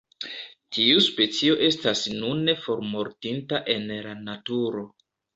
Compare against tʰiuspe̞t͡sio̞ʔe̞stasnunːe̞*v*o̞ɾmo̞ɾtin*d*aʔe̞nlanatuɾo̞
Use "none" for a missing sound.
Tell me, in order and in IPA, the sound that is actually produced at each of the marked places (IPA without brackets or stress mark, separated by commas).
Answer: f, t